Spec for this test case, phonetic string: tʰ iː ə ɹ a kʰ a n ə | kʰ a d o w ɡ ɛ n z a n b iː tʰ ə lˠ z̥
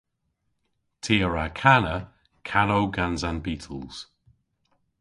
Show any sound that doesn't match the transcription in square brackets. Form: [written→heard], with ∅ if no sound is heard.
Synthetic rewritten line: tʰ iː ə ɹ a kʰ a n ə | kʰ a [d→n] o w ɡ [ɛ→a] n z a n b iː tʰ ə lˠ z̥